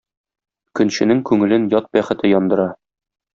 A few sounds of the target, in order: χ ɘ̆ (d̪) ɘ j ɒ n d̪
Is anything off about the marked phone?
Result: yes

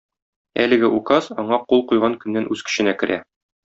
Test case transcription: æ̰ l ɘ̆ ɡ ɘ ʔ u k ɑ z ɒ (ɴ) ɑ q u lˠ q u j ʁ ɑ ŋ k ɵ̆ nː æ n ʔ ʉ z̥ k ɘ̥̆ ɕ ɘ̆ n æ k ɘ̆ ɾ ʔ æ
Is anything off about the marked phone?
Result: no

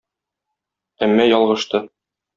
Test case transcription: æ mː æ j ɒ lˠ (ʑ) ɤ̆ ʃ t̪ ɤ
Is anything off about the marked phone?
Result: yes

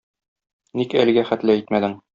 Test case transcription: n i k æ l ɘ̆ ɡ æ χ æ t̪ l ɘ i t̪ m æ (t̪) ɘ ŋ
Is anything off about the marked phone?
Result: yes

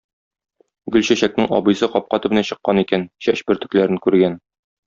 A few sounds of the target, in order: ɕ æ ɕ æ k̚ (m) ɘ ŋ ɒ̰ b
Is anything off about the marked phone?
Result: yes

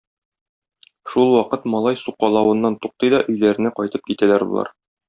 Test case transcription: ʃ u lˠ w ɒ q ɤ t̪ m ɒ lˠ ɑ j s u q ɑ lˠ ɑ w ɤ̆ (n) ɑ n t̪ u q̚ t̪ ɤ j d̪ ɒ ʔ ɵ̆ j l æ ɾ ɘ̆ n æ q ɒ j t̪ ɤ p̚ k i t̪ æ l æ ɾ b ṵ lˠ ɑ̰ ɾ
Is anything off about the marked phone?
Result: yes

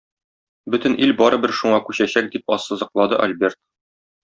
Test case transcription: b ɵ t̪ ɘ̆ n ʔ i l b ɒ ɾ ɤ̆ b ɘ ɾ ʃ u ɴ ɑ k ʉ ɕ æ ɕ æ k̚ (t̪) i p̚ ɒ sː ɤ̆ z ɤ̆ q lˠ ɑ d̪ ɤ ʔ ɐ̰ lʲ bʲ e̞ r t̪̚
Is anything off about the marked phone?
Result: yes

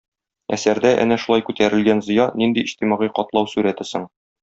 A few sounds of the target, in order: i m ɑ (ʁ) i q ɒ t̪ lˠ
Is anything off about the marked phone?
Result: no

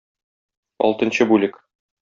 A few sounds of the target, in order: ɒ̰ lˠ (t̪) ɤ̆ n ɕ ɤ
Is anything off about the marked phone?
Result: no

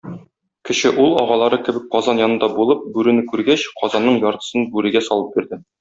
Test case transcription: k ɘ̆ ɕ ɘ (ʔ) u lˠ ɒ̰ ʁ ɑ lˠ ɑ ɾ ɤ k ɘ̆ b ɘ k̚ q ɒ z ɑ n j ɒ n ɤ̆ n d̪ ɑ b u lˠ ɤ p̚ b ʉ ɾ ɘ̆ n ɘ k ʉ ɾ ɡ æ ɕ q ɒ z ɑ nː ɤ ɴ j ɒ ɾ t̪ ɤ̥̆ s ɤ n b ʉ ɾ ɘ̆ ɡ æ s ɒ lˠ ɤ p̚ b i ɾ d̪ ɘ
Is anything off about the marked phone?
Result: no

